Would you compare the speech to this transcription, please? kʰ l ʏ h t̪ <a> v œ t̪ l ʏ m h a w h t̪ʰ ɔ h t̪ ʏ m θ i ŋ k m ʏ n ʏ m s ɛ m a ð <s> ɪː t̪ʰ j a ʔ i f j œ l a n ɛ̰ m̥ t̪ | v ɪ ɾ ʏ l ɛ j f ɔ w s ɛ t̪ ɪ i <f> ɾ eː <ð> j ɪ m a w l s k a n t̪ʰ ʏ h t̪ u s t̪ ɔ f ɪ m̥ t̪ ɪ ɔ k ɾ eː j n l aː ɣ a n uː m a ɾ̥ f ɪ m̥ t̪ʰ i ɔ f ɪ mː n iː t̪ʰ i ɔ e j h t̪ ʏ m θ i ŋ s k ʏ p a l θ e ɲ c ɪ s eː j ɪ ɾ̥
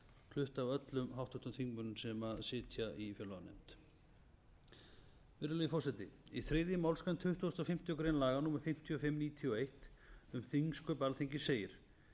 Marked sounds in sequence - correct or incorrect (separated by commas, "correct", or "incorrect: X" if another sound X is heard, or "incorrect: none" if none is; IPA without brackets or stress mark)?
correct, correct, incorrect: θ, correct